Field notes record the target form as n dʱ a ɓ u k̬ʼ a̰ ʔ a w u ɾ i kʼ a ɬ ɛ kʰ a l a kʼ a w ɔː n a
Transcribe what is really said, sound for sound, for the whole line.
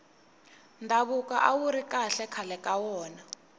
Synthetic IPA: n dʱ a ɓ u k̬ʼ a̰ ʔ a w u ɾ i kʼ a ɬ ɛ kʰ a l ɛ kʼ a w ɔː n a